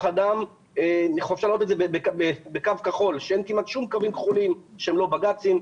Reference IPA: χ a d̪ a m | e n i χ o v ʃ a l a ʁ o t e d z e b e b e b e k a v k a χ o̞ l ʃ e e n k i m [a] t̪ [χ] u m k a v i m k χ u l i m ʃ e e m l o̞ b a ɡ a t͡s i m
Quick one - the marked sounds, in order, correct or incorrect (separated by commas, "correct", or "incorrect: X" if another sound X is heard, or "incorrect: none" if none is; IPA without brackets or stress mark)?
correct, incorrect: ʃ